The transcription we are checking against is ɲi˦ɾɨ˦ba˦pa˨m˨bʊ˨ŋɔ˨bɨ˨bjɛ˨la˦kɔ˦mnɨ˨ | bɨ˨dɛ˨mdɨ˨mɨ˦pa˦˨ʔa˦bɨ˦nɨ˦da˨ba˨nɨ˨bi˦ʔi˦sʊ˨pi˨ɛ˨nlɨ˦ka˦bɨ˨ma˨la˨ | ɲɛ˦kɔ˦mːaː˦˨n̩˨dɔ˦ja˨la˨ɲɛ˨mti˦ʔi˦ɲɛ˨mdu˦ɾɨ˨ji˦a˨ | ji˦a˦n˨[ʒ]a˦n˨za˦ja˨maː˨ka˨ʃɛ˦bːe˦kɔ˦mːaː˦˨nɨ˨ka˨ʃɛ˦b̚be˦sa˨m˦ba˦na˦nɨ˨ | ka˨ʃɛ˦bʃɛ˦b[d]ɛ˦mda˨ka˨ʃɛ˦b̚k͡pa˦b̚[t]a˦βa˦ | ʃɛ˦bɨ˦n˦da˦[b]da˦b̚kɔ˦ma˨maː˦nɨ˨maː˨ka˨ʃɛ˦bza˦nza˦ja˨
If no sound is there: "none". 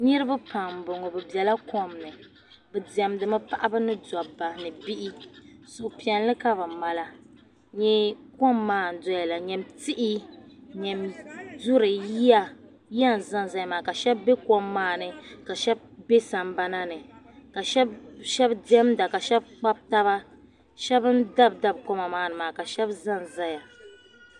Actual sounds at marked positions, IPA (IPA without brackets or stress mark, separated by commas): z, d, t, b